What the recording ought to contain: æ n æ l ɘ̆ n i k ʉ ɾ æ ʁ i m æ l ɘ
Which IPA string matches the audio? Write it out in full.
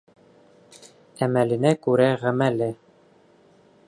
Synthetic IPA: æ m æ l ɘ̆ n æ k ʉ ɾ æ ʁ æ m æ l ɘ